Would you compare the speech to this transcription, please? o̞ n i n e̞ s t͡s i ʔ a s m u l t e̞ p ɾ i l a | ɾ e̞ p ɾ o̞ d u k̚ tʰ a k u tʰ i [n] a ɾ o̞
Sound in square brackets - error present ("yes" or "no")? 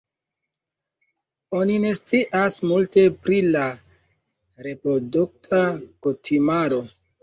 yes